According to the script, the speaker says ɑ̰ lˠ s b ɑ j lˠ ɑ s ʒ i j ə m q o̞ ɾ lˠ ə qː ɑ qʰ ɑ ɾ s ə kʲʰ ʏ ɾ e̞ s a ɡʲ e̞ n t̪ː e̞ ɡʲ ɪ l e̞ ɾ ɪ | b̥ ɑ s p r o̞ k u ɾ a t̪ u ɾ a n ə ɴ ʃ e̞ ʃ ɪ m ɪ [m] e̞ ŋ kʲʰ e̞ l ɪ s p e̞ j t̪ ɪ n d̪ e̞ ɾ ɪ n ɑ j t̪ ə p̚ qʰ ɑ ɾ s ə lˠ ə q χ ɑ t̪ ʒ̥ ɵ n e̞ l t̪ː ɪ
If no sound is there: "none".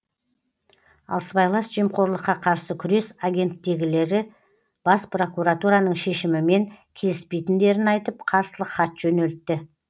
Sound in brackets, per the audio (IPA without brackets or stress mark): m